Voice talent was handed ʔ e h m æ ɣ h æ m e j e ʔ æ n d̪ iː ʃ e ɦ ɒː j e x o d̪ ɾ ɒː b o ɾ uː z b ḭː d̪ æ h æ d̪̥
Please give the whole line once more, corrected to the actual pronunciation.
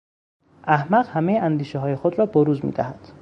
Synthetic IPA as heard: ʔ æ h m æ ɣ h æ m e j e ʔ æ n d̪ iː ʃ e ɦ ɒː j e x o d̪ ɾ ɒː b o ɾ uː z m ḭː d̪ æ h æ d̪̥